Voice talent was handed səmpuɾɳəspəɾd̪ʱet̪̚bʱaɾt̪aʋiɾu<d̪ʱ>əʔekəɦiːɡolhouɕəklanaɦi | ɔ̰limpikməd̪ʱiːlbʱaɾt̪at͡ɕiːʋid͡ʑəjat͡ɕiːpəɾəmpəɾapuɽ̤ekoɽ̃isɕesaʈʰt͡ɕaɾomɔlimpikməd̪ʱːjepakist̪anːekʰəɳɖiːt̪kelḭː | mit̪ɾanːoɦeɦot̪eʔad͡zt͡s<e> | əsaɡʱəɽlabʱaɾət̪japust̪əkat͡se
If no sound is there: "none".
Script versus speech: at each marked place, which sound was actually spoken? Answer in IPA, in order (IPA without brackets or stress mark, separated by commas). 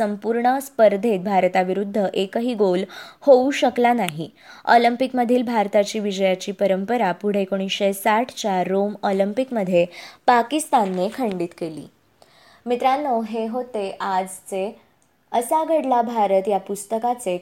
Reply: d̪ʱː, e